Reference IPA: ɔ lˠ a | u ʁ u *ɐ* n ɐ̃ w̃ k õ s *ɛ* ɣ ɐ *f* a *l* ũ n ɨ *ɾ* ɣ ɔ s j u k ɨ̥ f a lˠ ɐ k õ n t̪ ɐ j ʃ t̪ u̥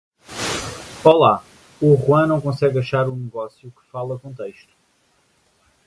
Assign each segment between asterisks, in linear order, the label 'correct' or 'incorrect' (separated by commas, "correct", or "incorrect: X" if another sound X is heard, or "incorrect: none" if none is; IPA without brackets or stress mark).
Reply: incorrect: ɐ̃, correct, incorrect: ʃ, incorrect: ɾ, incorrect: none